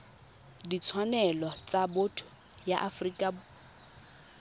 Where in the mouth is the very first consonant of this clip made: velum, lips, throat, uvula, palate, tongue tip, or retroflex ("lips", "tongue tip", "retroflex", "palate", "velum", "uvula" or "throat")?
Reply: tongue tip